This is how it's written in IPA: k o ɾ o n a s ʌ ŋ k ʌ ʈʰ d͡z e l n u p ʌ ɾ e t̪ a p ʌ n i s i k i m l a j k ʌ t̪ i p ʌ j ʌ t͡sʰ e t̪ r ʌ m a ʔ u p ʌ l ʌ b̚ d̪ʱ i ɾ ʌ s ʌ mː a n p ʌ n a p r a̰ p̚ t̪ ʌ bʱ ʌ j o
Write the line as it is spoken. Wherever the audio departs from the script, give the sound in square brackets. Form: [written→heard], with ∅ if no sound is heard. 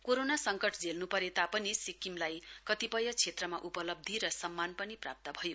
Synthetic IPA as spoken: k o ɾ o n a s ʌ ŋ k ʌ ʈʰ d͡z e l n u p ʌ ɾ e t̪ a p ʌ n i s i k i m l a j k ʌ t̪ i p ʌ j ʌ t͡sʰ e t̪ r ʌ m a ʔ u p ʌ l ʌ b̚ d̪ʱ i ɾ ʌ s ʌ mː a n p ʌ n [a→i] p r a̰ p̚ t̪ ʌ bʱ ʌ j o